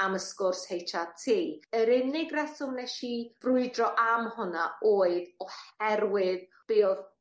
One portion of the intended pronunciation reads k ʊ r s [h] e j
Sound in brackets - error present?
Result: no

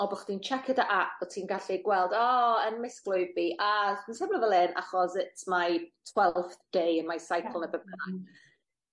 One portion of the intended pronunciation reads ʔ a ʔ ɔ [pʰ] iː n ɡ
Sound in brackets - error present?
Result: yes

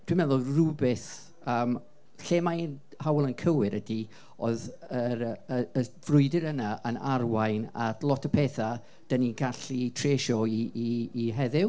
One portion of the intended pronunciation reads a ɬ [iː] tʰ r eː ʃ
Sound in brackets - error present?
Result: yes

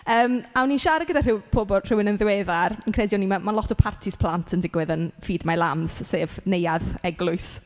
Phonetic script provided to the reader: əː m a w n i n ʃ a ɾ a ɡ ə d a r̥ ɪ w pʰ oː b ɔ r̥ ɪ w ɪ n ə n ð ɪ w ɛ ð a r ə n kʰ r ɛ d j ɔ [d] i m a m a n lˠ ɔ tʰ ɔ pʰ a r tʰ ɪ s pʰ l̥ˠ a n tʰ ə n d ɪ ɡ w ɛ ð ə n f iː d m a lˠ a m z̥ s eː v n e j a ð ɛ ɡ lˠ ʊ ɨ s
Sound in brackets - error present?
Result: yes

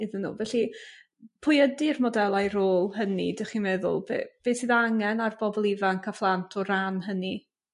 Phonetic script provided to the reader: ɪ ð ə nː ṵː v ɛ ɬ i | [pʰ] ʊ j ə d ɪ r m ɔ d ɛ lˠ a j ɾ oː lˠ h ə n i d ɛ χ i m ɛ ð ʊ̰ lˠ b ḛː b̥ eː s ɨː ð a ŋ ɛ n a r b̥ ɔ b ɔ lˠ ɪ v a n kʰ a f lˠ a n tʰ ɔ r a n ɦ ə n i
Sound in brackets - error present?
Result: no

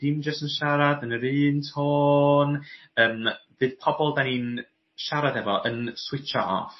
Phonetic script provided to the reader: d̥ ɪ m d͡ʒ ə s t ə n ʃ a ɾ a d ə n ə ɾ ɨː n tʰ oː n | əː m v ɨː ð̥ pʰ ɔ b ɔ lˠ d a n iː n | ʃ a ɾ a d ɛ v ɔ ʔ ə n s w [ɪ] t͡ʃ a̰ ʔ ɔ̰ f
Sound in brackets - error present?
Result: no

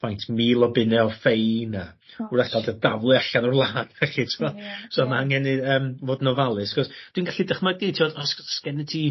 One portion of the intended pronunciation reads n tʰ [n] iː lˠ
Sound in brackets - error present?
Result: yes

